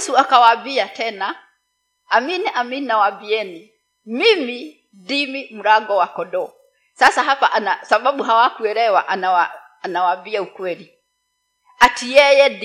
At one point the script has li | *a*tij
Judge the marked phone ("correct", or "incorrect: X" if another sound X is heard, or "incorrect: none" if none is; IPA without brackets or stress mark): correct